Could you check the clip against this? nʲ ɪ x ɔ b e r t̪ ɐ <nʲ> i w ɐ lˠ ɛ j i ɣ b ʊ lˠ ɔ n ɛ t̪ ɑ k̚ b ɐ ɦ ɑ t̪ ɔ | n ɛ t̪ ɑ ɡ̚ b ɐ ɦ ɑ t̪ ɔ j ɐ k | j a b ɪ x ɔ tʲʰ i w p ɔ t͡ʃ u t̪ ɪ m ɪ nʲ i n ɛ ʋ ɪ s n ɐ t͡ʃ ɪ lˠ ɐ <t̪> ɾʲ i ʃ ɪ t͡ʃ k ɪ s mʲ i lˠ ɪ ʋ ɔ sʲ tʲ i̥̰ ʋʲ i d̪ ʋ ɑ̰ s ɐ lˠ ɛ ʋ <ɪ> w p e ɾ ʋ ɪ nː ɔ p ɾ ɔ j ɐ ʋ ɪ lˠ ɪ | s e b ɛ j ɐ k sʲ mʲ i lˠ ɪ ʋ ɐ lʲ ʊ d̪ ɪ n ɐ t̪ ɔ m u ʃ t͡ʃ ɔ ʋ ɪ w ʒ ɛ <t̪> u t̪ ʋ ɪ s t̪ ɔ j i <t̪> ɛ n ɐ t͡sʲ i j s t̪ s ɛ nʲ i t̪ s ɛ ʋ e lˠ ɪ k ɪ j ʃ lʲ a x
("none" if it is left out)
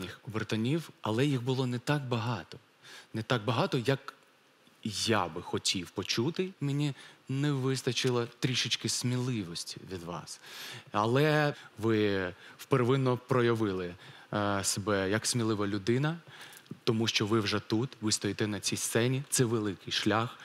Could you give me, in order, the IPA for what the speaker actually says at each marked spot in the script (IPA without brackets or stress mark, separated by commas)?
nʲ, t̪, ɪ, t̪, t̪